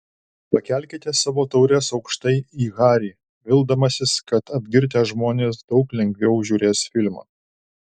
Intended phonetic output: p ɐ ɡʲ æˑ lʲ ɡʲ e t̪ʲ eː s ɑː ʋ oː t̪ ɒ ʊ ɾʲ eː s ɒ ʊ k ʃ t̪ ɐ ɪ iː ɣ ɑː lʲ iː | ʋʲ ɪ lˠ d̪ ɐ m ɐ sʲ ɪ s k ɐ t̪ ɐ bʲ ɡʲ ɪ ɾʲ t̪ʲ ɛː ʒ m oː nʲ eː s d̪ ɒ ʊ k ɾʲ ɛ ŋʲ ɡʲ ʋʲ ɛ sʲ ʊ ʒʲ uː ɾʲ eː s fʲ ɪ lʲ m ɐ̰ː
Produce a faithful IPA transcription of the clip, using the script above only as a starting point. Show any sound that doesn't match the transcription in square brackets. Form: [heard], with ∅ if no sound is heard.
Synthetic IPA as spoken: p ɐ [kʲ] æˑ lʲ [kʲ] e t̪ʲ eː s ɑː ʋ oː t̪ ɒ ʊ ɾʲ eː s ɒ ʊ k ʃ t̪ ɐ ɪ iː ɣ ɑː [ɾʲ] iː | ʋʲ ɪ lˠ d̪ ɐ m ɐ sʲ ɪ s k ɐ t̪ ɐ bʲ ɡʲ ɪ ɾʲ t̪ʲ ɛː ʒ m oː nʲ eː s d̪ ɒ ʊ k [lʲ] ɛ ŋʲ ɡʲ ʋʲ ɛ [∅] ʊ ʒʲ uː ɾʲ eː s fʲ ɪ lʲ m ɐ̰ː